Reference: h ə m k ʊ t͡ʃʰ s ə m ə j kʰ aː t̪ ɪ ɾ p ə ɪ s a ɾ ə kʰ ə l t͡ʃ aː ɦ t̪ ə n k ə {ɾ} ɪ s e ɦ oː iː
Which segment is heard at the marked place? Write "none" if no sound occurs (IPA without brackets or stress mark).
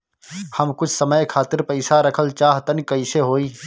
none